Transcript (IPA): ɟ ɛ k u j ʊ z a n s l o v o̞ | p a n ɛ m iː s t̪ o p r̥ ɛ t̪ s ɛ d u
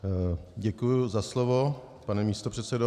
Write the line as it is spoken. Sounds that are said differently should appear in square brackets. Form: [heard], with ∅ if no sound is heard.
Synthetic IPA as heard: ɟ ɛ k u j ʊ z a [∅] s l o v o̞ | p a n ɛ m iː s t̪ o p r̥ ɛ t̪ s ɛ d [o]